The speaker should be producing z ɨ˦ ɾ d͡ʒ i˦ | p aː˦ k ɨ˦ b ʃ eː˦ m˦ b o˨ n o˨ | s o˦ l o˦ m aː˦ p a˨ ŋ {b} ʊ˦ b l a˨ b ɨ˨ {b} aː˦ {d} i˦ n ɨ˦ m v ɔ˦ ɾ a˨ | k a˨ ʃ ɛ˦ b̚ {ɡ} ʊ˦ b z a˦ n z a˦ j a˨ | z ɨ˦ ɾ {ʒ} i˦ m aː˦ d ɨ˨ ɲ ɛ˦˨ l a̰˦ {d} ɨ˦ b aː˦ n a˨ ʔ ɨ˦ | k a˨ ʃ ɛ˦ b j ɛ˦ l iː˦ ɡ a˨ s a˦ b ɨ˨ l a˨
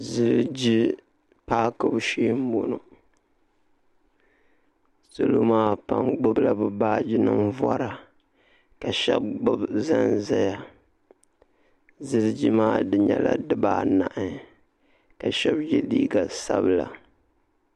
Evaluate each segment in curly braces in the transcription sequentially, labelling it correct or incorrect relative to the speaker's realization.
incorrect: ɡ͡b, correct, incorrect: d͡ʒ, incorrect: ɡ͡b, incorrect: d͡ʒ, correct

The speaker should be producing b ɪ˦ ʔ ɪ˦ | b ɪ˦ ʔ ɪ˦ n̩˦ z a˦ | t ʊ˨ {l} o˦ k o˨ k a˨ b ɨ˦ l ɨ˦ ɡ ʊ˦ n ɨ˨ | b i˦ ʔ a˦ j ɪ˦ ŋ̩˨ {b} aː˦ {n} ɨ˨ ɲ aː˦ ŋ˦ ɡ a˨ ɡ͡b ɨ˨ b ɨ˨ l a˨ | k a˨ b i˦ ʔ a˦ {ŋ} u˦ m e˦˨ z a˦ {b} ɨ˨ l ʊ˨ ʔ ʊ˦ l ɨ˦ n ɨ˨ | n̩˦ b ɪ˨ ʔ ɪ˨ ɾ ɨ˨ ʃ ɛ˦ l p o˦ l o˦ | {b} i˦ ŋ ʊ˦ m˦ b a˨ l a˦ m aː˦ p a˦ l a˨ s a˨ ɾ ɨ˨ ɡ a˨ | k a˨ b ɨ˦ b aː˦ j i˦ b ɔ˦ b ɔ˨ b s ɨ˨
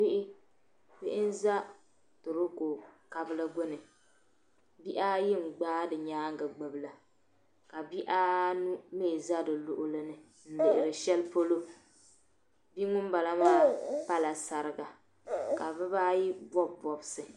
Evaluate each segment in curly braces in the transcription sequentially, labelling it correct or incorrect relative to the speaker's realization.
incorrect: ɾ, incorrect: ɡ͡b, incorrect: d, incorrect: n, incorrect: d, correct

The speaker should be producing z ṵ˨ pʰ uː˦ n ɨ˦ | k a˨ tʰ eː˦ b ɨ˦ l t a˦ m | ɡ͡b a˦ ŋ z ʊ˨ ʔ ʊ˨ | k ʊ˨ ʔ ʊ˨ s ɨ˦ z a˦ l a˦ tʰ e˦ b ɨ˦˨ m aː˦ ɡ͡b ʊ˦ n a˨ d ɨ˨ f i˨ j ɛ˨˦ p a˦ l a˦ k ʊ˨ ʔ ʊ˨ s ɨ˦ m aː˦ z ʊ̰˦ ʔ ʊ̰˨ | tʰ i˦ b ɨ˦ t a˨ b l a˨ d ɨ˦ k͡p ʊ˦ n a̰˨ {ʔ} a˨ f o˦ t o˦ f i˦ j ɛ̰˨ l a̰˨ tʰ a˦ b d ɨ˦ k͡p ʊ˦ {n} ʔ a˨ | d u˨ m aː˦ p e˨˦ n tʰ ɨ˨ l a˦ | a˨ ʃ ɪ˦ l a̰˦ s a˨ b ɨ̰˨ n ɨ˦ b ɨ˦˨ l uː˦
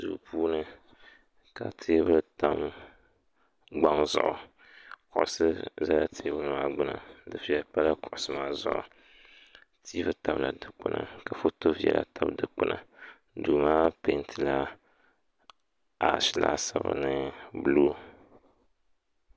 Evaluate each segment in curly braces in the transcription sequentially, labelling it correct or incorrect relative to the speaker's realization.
incorrect: k, correct

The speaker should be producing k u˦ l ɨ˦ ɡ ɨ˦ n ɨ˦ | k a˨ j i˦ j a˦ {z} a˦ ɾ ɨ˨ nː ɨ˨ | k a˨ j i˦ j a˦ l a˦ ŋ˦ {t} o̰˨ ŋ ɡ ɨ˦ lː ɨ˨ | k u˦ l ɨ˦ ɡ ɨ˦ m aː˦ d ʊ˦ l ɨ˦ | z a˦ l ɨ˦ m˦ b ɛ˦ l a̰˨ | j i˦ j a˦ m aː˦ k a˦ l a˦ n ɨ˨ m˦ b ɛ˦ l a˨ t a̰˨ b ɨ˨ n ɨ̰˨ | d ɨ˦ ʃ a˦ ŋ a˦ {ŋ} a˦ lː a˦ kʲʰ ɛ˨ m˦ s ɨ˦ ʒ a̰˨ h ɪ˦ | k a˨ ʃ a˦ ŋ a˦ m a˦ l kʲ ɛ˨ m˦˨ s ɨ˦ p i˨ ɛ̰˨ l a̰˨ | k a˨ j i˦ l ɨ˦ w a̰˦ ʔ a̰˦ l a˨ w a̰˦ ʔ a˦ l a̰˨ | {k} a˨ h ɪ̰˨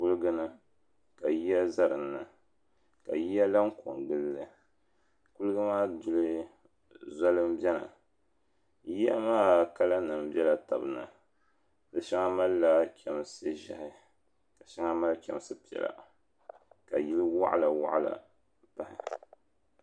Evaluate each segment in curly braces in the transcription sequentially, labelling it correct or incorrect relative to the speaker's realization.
correct, incorrect: k, incorrect: m, incorrect: p

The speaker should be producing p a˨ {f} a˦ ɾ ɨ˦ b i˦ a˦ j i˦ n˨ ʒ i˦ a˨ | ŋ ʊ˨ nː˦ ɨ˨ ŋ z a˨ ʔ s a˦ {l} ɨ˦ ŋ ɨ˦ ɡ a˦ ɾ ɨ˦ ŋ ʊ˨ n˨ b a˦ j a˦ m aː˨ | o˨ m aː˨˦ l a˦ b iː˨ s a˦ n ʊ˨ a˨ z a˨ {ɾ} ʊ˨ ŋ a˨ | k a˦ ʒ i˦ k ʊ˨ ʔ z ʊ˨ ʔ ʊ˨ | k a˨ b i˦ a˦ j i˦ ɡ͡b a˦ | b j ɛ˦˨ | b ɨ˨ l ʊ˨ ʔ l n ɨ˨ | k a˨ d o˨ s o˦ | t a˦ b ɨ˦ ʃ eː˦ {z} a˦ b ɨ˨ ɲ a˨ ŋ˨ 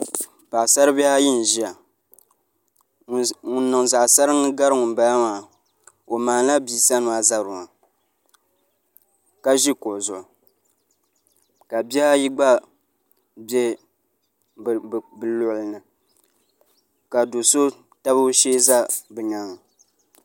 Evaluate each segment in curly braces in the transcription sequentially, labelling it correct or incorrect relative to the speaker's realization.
incorrect: s, incorrect: ɾ, correct, correct

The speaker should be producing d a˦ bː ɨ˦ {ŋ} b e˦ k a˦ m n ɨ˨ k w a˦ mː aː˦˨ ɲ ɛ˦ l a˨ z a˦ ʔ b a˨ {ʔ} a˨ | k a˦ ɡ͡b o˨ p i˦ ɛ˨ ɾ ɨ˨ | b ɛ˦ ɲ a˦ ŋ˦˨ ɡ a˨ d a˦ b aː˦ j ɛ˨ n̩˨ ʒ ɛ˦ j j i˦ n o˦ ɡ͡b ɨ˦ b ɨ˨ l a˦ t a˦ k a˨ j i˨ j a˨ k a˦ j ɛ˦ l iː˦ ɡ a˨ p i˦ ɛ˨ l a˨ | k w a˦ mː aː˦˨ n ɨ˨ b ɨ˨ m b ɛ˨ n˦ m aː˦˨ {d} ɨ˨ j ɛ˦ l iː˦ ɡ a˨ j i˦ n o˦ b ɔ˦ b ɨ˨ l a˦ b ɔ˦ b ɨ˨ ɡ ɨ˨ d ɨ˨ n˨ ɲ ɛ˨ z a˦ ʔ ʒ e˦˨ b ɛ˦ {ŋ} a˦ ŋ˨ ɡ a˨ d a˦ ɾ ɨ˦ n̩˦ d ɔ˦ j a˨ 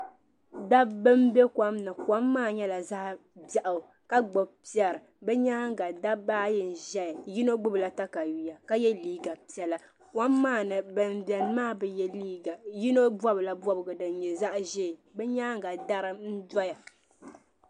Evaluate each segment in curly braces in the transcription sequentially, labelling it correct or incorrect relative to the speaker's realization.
incorrect: m, correct, incorrect: b, incorrect: ɲ

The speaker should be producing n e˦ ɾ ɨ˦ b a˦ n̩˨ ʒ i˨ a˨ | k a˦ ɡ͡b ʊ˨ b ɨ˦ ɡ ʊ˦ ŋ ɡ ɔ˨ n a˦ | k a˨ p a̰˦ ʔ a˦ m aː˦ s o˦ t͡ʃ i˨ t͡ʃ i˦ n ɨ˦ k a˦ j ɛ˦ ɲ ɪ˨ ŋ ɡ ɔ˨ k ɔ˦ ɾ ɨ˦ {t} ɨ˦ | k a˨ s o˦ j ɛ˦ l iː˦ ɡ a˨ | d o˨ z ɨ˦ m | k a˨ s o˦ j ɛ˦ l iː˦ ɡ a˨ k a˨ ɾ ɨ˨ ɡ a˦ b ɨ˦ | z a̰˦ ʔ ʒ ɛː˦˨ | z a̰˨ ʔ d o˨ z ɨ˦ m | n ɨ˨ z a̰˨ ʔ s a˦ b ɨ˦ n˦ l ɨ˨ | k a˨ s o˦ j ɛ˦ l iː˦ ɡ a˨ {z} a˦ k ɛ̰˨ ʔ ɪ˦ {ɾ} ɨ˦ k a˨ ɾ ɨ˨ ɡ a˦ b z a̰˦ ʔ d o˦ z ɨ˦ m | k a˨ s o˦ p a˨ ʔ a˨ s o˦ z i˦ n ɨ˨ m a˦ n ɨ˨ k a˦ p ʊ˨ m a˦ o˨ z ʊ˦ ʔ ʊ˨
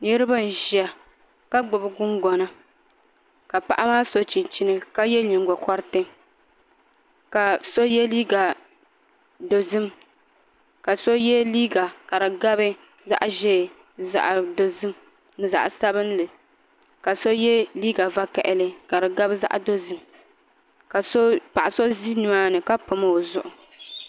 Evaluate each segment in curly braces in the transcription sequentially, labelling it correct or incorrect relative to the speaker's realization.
correct, incorrect: v, incorrect: l

